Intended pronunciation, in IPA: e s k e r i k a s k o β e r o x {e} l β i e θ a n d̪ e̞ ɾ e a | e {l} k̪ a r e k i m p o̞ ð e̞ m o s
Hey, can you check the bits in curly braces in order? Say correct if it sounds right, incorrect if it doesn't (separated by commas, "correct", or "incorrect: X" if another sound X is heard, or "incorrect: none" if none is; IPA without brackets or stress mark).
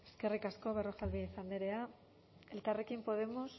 incorrect: a, correct